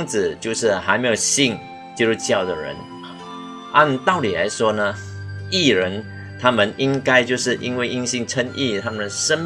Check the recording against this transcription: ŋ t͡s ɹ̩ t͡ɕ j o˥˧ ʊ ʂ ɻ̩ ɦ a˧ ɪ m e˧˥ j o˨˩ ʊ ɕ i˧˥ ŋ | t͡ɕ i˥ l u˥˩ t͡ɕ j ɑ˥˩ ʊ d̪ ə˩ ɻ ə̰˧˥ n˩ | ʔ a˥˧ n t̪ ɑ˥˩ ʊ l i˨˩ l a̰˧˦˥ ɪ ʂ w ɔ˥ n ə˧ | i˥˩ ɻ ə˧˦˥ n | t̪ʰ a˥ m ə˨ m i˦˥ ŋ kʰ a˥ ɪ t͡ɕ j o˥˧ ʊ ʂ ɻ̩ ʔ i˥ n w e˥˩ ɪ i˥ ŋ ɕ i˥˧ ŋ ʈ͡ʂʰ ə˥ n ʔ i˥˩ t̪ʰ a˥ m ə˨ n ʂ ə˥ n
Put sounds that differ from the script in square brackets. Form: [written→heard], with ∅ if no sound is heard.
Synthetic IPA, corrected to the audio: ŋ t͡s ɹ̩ t͡ɕ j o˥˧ ʊ ʂ ɻ̩ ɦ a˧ ɪ m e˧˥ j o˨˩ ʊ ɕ [i˧˥→i˥˩] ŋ | t͡ɕ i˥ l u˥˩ t͡ɕ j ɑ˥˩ ʊ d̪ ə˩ ɻ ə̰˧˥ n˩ | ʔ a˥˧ n t̪ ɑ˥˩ ʊ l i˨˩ l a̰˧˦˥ ɪ ʂ w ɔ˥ n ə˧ | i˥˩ ɻ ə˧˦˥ n | t̪ʰ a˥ m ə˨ [m→n] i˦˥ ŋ [kʰ→k] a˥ ɪ t͡ɕ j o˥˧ ʊ ʂ ɻ̩ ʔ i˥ n w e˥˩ ɪ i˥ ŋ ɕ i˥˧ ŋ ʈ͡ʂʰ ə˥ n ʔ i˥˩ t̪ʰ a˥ m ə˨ n ʂ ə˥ n